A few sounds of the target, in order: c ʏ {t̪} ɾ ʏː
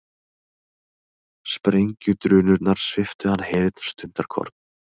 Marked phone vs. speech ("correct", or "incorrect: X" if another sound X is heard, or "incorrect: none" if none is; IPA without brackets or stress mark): correct